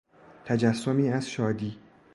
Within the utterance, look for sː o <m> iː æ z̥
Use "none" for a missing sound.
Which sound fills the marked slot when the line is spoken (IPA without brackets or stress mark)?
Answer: m